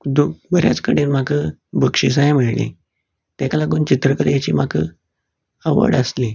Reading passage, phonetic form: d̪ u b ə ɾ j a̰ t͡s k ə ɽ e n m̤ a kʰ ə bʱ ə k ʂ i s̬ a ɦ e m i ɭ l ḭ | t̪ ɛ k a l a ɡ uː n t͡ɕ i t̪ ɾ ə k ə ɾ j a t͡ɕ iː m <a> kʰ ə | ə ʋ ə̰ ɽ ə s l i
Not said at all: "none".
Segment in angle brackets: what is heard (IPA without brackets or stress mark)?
a